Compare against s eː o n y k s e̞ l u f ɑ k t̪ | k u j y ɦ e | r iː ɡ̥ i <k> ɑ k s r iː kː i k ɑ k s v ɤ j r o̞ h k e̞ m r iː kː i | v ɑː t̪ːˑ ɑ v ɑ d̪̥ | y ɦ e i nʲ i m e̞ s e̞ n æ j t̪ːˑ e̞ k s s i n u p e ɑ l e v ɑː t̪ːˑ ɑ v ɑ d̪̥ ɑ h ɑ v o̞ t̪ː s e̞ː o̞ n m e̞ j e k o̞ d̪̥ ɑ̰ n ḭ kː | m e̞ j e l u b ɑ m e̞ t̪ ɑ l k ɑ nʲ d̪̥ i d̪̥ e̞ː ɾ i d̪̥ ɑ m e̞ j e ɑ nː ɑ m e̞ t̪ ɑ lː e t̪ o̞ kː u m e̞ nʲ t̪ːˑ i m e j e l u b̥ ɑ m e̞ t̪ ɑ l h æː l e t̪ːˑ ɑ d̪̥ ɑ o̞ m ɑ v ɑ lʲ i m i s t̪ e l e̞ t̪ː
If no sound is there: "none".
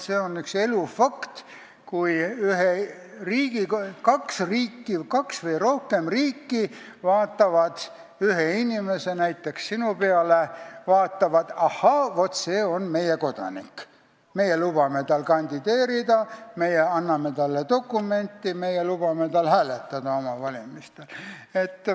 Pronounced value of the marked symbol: k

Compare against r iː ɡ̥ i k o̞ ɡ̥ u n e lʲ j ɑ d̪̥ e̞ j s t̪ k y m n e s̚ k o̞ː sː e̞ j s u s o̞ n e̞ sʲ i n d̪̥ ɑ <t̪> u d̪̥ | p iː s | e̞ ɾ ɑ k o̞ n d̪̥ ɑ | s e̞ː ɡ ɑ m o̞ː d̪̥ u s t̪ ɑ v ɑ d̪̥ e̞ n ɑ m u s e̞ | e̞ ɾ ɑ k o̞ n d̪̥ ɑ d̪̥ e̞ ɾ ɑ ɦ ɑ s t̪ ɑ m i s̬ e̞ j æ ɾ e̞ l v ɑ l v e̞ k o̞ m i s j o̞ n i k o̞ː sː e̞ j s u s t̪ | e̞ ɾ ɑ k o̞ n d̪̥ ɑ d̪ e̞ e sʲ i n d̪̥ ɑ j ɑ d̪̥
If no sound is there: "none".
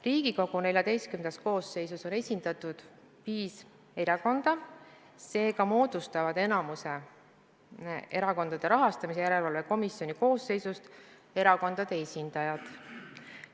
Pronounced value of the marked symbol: t̪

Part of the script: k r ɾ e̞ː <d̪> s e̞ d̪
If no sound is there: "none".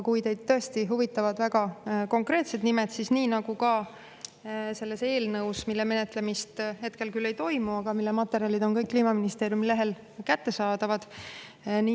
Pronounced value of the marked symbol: t̪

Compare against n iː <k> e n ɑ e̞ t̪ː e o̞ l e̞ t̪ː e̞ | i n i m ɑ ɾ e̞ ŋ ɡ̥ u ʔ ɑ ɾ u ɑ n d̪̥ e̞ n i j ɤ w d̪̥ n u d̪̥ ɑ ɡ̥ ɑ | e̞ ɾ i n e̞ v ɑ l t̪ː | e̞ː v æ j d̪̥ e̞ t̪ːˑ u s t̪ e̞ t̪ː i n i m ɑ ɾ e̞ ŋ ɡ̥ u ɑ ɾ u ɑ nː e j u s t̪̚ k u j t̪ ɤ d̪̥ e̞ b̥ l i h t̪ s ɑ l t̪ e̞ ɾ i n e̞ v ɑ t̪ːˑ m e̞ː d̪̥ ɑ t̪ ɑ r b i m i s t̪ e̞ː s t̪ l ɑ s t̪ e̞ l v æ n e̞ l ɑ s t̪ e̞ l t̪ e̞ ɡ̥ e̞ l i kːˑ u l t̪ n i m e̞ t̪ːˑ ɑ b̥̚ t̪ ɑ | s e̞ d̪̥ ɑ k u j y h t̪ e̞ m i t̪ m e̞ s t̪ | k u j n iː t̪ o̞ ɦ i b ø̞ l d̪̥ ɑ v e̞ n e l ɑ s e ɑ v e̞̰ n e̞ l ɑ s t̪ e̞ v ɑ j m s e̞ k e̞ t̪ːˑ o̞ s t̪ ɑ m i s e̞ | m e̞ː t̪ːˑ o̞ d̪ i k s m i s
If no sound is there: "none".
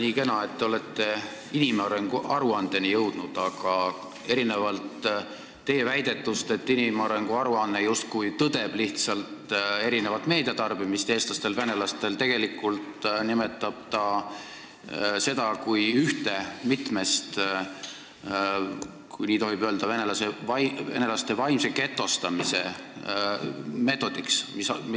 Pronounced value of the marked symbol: k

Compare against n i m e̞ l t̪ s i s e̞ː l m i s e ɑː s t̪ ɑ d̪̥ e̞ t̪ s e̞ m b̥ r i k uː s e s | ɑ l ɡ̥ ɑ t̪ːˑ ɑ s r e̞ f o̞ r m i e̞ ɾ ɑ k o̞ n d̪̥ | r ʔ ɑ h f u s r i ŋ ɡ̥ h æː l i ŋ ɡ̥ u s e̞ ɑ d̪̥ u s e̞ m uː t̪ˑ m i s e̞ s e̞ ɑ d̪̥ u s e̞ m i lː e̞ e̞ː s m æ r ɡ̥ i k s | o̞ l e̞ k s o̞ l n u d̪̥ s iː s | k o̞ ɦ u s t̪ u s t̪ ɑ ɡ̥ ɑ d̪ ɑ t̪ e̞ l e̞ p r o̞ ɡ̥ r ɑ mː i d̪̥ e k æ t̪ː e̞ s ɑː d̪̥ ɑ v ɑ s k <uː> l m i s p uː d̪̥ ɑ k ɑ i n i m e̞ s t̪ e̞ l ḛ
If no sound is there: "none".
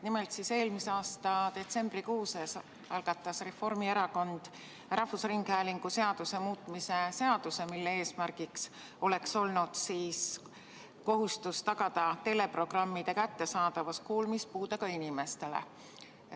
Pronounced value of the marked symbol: uː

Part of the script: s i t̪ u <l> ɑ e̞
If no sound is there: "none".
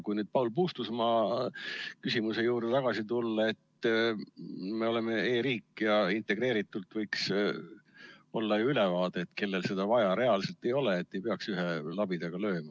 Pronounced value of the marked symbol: lː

